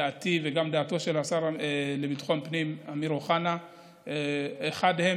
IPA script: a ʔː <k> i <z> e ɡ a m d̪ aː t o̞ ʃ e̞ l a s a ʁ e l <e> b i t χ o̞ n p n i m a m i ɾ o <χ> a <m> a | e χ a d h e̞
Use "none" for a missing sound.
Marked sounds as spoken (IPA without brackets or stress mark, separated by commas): t, v, e, χ, n